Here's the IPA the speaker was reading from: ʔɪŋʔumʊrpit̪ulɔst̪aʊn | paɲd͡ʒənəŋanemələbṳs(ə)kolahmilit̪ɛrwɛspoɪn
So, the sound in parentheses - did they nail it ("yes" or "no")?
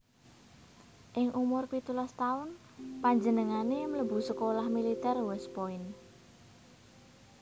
yes